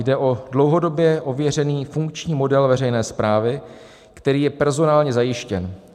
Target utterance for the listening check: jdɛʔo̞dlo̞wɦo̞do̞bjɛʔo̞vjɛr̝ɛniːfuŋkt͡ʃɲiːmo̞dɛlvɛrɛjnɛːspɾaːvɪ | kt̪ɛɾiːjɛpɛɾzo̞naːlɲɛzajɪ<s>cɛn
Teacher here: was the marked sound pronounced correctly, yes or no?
no